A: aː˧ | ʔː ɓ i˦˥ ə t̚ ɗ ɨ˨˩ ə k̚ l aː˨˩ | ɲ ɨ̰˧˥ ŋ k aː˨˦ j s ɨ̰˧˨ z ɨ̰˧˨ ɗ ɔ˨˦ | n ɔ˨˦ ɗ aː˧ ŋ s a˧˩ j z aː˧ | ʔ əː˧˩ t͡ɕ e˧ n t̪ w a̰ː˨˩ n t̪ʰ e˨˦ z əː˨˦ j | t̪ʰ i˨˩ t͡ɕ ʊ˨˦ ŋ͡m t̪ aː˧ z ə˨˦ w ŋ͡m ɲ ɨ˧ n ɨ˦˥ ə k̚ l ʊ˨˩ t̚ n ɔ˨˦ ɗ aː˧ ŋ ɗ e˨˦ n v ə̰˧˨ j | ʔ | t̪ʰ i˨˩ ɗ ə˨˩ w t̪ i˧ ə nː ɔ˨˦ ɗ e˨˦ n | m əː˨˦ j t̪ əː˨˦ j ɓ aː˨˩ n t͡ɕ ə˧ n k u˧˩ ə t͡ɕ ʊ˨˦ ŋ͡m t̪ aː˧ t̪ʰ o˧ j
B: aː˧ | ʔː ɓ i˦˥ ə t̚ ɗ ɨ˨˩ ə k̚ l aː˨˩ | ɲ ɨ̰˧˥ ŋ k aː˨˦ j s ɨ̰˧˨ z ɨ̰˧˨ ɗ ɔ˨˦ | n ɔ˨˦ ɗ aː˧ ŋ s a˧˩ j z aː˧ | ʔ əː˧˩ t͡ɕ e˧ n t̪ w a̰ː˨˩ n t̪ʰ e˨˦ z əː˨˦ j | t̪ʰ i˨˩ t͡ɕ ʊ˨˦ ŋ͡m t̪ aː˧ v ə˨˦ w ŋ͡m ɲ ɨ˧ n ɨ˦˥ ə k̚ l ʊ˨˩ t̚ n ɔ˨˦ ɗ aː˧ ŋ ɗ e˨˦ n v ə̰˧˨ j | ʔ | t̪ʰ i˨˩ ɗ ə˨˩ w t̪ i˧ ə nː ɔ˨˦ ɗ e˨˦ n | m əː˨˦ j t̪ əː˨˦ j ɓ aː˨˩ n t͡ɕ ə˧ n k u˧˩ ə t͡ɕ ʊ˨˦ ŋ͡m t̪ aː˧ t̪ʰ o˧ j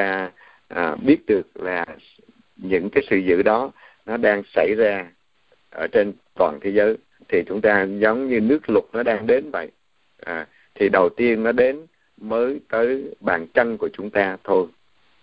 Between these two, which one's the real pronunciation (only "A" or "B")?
A